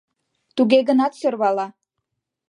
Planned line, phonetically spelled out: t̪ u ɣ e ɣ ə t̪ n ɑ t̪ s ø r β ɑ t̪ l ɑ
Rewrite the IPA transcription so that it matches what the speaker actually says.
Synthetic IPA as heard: t̪ u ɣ e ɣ ə n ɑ t̪ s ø r β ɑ l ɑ